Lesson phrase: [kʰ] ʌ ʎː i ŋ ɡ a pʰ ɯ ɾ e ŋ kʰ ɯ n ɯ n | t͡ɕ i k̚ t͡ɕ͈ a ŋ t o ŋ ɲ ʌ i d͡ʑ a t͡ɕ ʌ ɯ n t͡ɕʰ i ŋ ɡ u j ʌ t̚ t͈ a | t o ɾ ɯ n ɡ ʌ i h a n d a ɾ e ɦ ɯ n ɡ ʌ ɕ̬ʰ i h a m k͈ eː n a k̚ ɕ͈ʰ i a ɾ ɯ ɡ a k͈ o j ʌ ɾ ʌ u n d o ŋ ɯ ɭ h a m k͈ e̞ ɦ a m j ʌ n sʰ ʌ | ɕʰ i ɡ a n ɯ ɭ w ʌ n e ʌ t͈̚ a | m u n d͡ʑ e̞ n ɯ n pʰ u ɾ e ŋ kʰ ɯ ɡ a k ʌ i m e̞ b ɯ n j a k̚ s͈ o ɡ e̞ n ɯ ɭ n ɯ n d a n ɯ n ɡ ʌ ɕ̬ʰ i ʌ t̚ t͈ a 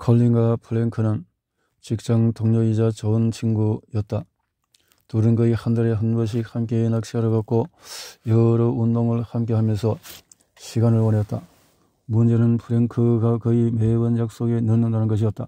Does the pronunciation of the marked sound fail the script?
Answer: no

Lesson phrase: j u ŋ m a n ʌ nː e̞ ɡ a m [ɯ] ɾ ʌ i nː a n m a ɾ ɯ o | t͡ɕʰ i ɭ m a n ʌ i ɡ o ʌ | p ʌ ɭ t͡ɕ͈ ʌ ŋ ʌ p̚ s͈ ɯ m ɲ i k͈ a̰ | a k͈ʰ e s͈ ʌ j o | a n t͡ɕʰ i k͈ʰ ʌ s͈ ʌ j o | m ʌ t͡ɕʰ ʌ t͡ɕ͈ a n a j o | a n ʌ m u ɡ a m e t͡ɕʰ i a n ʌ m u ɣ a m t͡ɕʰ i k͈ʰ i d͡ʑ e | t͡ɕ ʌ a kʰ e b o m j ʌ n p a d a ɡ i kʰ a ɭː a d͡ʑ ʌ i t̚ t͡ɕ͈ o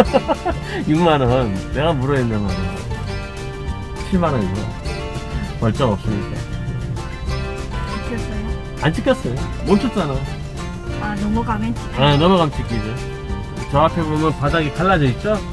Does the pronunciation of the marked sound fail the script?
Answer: yes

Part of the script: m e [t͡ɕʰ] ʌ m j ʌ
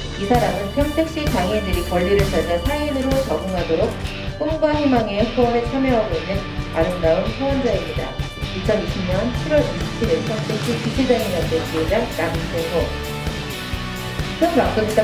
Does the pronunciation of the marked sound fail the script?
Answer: no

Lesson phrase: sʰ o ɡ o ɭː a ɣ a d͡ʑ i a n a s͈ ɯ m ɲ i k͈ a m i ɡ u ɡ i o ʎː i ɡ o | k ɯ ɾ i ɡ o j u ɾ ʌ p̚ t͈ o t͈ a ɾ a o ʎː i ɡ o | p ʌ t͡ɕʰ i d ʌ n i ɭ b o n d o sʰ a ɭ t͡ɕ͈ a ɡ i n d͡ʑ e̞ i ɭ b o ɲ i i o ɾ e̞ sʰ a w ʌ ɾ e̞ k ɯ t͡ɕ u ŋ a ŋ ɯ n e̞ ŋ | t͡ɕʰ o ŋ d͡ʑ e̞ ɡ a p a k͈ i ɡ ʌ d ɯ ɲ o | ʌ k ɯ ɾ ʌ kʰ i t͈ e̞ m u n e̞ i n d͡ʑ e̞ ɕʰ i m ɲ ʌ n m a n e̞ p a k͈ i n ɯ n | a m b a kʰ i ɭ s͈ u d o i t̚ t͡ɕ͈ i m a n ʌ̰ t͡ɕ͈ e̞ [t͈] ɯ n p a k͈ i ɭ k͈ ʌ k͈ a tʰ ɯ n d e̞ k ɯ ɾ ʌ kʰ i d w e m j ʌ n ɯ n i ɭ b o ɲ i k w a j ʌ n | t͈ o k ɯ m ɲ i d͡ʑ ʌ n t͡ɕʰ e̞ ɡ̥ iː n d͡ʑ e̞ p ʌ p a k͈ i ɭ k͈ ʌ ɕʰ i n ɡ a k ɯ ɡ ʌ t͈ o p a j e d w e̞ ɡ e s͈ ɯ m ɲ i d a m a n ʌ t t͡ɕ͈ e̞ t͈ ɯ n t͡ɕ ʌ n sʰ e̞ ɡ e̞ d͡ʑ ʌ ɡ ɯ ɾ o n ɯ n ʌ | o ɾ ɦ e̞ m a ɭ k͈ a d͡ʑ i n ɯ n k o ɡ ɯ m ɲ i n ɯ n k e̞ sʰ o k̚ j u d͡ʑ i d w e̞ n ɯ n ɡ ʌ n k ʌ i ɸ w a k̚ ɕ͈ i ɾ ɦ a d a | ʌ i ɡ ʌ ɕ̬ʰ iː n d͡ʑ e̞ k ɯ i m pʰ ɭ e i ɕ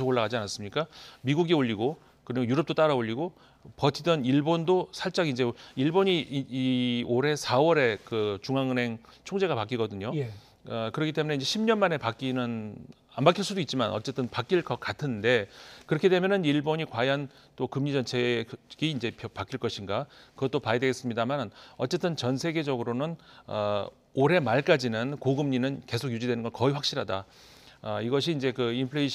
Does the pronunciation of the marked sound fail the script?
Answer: no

